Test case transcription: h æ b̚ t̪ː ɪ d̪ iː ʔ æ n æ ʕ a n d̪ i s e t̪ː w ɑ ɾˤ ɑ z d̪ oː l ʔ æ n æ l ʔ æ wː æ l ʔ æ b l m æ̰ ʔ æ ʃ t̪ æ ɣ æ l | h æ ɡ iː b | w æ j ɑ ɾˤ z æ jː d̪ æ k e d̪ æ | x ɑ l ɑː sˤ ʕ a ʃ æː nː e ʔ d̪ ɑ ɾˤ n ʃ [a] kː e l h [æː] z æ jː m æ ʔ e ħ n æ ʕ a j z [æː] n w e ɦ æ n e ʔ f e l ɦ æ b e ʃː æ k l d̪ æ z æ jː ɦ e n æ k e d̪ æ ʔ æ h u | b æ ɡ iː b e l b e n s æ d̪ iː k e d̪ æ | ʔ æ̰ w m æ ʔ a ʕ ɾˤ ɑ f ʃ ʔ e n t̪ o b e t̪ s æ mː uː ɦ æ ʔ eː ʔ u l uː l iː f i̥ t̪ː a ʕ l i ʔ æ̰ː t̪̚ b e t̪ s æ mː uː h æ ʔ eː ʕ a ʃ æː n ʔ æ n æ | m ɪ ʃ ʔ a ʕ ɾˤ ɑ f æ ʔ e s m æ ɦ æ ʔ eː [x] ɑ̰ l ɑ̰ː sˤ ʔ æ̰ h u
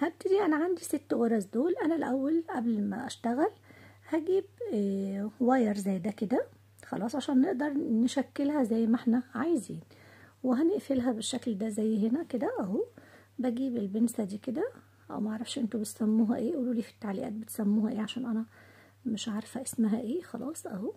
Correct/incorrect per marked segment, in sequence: incorrect, incorrect, incorrect, correct

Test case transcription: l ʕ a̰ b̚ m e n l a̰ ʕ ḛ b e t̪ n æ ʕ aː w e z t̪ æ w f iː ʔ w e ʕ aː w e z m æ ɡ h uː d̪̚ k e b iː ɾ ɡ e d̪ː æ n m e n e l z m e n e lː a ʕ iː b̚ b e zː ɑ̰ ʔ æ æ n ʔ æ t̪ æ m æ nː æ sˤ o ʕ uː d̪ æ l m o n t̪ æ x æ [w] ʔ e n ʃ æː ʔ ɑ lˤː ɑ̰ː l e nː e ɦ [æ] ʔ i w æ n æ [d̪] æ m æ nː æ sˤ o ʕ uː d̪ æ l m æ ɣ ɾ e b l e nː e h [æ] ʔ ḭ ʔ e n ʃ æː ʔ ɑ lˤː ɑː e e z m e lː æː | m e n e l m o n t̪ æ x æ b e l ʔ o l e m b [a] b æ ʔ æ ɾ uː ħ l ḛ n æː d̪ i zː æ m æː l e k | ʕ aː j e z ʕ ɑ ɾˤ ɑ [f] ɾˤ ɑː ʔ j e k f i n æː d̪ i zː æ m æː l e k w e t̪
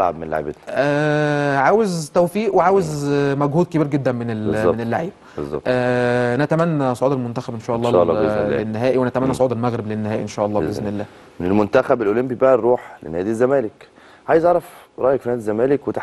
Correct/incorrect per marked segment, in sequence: incorrect, incorrect, incorrect, incorrect, incorrect, correct

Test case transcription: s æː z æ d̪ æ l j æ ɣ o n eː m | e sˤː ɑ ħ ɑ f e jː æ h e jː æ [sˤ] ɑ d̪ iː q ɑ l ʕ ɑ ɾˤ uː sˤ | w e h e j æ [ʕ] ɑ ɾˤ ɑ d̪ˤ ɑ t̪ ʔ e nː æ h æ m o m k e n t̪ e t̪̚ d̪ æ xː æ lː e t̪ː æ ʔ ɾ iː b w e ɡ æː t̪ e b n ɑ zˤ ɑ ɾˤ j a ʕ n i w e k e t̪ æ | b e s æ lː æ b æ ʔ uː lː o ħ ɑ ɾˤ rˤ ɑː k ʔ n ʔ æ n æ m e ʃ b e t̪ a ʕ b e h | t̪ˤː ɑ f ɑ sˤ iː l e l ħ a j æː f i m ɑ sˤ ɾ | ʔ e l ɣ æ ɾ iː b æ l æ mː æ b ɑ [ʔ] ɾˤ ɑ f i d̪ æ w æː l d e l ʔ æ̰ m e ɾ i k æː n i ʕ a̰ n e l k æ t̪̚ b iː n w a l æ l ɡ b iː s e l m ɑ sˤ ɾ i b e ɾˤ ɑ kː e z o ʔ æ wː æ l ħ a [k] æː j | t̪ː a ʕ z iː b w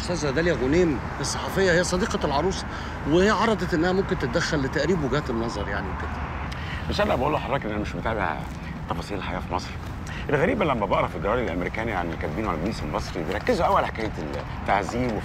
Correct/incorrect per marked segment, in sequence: correct, correct, correct, correct

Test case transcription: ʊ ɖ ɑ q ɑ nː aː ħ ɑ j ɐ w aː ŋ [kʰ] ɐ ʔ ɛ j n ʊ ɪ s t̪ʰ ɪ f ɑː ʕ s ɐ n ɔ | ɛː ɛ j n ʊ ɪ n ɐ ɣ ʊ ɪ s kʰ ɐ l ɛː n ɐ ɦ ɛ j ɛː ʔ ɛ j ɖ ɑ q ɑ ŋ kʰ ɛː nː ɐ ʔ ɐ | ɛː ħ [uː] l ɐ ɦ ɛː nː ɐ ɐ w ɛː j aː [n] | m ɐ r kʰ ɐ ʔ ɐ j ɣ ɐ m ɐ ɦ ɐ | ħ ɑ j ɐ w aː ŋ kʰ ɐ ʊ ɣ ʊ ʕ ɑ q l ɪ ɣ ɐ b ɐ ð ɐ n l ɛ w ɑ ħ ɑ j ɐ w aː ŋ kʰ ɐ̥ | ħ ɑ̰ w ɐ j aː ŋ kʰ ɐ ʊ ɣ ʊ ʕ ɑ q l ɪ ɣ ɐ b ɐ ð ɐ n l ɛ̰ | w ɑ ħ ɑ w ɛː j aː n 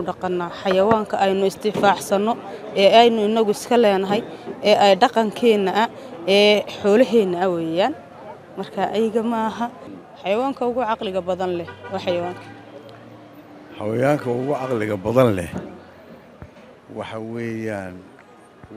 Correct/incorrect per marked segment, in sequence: correct, incorrect, correct

